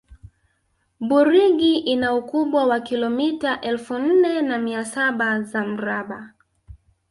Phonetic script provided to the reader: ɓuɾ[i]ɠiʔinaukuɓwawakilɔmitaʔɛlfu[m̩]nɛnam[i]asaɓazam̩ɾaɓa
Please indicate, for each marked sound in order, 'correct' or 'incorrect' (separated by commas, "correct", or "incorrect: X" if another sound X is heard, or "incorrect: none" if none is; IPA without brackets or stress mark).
correct, incorrect: n̩, correct